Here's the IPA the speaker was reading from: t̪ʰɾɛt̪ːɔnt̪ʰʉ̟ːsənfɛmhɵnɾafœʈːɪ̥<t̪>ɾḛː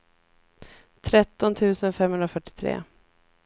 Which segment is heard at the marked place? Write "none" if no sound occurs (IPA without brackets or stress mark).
t̪ʰ